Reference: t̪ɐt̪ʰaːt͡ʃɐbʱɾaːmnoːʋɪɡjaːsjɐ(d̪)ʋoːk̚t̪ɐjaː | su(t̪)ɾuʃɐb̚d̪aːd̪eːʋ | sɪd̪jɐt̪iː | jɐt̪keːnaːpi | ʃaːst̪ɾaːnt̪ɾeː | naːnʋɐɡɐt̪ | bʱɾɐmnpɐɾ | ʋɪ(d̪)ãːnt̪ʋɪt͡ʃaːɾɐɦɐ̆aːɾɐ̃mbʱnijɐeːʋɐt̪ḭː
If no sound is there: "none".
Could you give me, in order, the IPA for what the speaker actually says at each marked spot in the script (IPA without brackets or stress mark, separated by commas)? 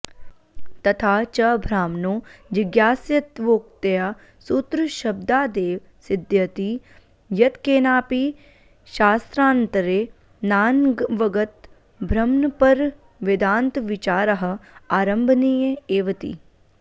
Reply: t̪, t̪, d̪